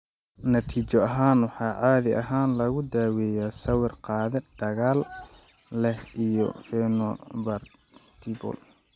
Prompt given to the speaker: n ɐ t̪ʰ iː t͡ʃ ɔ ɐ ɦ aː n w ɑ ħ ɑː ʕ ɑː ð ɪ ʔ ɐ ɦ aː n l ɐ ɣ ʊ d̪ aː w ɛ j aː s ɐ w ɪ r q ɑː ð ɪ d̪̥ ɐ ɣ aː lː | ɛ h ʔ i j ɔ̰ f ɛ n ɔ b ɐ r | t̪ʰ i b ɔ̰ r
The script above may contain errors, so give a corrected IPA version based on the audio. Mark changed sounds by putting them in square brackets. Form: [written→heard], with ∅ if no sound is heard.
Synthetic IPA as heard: n ɐ t̪ʰ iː t͡ʃ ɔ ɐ ɦ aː n w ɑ ħ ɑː ʕ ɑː ð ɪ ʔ ɐ ɦ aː n l ɐ ɣ ʊ d̪ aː w ɛ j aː s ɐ w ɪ r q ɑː ð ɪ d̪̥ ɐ ɣ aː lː | ɛ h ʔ i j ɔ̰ f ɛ n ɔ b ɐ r | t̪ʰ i b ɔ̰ [r→l]